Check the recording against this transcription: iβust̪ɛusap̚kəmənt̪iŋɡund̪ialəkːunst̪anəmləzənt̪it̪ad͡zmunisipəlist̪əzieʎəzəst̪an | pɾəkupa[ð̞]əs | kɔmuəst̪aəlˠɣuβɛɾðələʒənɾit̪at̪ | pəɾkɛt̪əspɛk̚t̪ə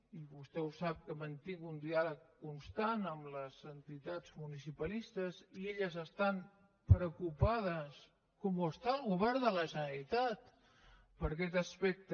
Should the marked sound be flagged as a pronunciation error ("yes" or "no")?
no